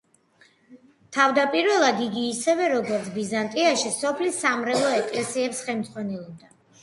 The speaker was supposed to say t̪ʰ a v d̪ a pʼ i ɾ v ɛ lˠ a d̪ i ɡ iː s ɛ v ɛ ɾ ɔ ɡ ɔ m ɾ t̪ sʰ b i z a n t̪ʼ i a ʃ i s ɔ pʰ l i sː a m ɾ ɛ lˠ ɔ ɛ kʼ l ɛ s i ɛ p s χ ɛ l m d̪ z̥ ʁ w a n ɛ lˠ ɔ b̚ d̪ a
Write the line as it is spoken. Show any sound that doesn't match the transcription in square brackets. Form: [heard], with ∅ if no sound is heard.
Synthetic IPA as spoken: t̪ʰ a v d̪ a pʼ i ɾ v ɛ lˠ a d̪ i ɡ iː s ɛ v ɛ ɾ ɔ ɡ ɔ [∅] ɾ t̪ sʰ b i z a n t̪ʼ i a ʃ i s ɔ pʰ l i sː a m ɾ ɛ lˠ ɔ ɛ kʼ l ɛ s i ɛ p s χ ɛ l m d̪ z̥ ʁ w a n ɛ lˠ ɔ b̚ d̪ a